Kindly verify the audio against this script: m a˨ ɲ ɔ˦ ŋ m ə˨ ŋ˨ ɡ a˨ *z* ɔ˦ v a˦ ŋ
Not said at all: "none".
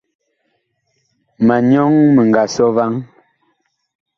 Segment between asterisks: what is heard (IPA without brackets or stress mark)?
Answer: s